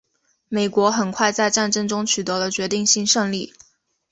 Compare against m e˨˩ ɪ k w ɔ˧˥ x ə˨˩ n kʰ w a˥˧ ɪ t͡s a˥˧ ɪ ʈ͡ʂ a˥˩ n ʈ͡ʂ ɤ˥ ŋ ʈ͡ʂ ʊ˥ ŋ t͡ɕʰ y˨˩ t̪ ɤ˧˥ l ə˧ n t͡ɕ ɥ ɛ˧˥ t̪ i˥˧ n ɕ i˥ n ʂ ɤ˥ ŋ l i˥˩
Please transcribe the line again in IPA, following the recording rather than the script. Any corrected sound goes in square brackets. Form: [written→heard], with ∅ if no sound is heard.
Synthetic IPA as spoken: m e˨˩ ɪ k w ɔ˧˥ x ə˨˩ n kʰ w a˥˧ ɪ t͡s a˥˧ ɪ ʈ͡ʂ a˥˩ n ʈ͡ʂ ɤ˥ ŋ ʈ͡ʂ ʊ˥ ŋ t͡ɕʰ y˨˩ t̪ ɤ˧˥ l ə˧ [n→∅] t͡ɕ ɥ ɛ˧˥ t̪ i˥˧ [n→ŋ] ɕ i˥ n ʂ [ɤ˥→ɤ˥˧] ŋ l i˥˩